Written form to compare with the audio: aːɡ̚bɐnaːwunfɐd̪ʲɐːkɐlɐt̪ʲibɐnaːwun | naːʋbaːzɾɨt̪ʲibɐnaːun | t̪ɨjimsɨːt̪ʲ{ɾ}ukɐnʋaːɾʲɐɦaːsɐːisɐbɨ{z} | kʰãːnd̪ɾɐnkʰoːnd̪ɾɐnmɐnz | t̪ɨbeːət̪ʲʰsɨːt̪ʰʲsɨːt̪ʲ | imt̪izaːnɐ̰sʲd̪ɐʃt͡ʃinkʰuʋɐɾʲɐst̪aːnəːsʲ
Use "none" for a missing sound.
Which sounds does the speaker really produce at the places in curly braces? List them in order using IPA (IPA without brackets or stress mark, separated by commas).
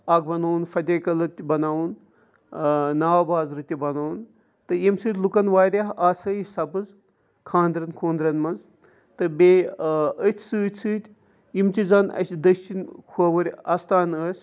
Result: l, z